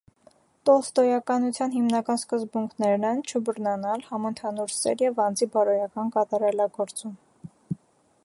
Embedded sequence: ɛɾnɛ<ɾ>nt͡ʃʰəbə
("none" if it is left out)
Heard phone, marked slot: none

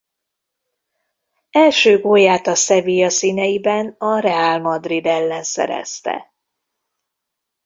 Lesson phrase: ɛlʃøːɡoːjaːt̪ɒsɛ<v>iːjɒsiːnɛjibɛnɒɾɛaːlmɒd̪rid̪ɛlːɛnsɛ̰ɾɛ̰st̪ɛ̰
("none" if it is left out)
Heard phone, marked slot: v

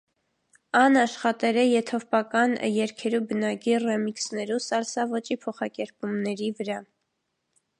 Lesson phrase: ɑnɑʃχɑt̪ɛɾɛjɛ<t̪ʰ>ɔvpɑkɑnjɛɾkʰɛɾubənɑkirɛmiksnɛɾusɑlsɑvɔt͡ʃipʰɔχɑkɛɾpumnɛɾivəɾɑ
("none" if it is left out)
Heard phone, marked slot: t̪ʰ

